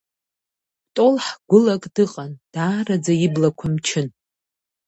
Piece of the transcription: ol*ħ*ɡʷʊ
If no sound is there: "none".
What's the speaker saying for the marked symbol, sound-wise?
ħ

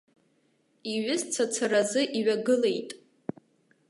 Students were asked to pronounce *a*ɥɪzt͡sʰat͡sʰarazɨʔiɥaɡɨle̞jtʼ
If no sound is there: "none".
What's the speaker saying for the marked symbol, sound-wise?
i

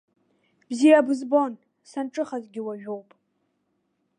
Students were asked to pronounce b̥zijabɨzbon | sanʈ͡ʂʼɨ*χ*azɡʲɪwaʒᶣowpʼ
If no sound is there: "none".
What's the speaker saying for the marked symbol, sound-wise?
χ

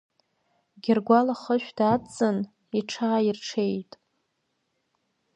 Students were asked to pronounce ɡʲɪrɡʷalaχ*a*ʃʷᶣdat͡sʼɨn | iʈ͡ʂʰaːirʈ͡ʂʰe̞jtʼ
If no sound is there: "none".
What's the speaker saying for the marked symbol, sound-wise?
ə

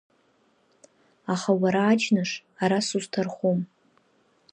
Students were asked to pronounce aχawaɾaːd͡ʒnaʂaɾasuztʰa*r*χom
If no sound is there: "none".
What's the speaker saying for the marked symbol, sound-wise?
r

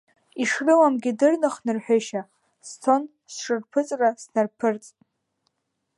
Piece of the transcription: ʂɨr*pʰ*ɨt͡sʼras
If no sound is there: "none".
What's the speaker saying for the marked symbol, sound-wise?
pʰ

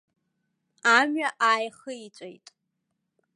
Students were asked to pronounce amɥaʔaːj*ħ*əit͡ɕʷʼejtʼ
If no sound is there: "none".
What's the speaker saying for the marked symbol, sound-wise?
χ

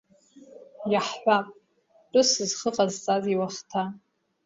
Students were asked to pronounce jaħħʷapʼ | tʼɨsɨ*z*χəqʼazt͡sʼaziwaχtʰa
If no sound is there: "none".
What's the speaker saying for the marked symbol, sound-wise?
z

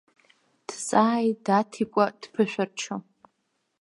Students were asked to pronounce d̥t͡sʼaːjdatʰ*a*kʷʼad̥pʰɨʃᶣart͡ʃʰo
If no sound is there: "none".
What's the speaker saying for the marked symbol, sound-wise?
i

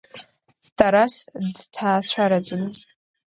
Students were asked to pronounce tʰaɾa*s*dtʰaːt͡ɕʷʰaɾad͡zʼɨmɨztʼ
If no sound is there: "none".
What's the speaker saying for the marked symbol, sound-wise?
s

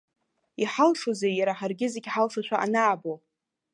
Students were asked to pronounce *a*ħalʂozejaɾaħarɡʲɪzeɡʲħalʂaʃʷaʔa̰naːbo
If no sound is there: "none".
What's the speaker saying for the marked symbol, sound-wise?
i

